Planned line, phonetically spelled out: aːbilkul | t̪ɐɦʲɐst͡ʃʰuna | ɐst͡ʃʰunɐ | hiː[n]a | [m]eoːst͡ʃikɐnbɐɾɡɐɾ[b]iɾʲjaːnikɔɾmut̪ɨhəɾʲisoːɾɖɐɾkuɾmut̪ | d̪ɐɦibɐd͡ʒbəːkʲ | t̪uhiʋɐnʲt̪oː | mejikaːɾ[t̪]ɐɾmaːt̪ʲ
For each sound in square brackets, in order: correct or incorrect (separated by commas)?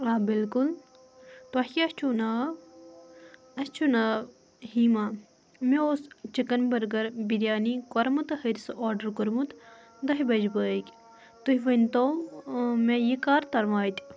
incorrect, correct, correct, correct